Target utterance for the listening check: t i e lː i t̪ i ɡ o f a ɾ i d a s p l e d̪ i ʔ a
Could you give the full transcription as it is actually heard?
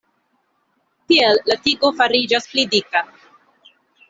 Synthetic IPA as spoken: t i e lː a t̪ i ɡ o f a ɾ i d͡ʒ a s p l i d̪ i k a